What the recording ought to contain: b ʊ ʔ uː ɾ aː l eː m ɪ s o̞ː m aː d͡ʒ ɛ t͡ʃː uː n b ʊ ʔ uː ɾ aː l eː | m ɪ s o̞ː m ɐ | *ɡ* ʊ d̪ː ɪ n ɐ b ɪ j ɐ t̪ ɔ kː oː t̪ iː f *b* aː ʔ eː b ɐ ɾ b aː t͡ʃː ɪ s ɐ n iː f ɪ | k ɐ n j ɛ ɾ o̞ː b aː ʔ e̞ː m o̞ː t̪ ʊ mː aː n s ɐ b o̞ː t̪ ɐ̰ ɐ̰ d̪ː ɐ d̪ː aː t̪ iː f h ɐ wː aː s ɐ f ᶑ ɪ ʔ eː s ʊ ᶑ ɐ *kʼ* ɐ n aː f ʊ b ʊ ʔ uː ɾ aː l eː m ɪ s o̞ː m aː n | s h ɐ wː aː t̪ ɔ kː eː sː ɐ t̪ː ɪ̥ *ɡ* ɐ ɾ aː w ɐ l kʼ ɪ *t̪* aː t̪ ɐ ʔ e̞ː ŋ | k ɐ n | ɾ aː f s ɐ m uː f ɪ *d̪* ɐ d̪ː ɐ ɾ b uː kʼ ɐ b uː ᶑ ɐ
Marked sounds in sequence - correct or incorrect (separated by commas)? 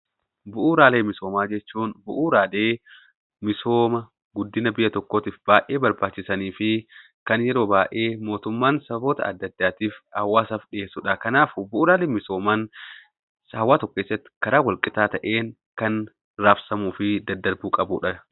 correct, correct, incorrect, incorrect, correct, correct